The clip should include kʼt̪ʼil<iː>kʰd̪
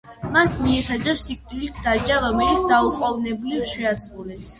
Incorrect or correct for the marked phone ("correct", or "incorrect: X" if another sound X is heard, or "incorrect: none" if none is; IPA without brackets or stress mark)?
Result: incorrect: i